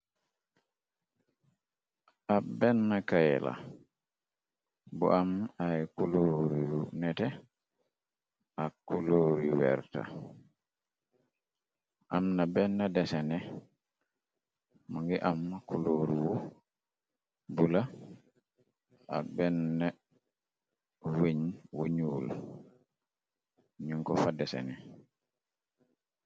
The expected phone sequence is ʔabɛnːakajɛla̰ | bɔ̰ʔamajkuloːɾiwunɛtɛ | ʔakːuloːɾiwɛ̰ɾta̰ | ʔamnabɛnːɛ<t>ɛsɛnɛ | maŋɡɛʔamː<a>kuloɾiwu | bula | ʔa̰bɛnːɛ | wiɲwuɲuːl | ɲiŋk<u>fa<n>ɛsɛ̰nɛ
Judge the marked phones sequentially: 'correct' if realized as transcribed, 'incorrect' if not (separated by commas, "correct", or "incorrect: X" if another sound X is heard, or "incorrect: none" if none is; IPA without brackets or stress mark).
incorrect: d, correct, incorrect: ɔ, incorrect: d